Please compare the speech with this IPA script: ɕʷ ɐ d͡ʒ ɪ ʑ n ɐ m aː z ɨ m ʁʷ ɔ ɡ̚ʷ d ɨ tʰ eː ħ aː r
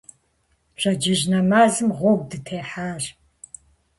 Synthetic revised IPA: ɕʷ ɐ d͡ʒ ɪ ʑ n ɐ m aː z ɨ m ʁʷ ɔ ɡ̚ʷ d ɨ tʰ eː ħ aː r